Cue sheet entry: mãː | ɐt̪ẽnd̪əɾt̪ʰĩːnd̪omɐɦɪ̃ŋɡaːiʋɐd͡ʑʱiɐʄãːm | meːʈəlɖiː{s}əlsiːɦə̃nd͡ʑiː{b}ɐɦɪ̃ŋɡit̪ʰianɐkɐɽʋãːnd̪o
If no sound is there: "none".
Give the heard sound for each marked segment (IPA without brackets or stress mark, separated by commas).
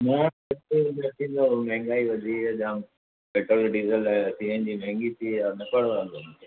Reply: z, m